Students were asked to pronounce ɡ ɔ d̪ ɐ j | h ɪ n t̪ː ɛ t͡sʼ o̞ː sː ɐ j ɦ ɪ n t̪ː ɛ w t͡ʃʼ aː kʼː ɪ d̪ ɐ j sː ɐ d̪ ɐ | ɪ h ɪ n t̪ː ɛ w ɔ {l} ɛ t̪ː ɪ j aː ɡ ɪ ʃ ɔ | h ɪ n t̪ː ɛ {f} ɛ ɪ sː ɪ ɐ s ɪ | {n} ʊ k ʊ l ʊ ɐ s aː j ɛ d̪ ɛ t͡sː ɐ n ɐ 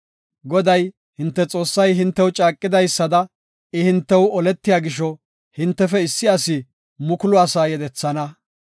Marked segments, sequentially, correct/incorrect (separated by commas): correct, correct, incorrect